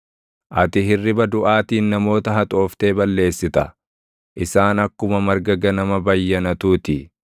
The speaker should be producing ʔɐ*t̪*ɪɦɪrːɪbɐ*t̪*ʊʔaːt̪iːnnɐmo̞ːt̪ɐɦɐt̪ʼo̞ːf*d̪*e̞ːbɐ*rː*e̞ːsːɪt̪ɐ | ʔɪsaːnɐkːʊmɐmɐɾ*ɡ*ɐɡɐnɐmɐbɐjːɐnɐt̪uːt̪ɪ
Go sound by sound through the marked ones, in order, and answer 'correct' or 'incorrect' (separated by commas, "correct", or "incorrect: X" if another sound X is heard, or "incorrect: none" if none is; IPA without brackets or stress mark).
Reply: correct, incorrect: d̪, incorrect: t̪, incorrect: lː, correct